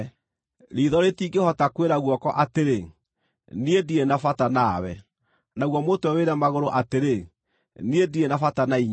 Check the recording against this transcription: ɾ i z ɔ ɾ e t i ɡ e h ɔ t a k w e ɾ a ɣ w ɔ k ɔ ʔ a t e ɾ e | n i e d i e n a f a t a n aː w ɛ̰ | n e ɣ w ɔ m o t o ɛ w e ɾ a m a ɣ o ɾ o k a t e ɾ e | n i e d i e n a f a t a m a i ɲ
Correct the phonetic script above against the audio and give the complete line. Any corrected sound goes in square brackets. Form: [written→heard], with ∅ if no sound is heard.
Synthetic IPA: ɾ i [z→ð] ɔ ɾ e t i ɡ e h ɔ t a k w e ɾ a ɣ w ɔ k ɔ ʔ a t e ɾ e | n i e d i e n a f a t a n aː w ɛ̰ | n [e→a] ɣ w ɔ m o t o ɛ w e ɾ a m a ɣ o ɾ o [k→ʔ] a t e ɾ e | n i e d i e n a f a t a [m→n] a i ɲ